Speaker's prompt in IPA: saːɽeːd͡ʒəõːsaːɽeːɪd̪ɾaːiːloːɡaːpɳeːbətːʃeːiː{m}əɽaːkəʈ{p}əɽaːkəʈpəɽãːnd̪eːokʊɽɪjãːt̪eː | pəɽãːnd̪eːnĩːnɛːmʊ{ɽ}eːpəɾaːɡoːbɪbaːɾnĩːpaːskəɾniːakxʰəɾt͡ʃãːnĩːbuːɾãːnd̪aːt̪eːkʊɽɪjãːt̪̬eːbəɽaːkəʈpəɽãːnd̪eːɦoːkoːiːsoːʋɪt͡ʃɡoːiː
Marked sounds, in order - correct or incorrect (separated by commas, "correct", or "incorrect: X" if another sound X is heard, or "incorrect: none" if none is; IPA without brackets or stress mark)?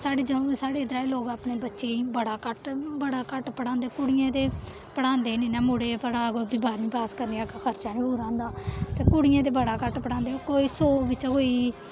incorrect: b, incorrect: b, correct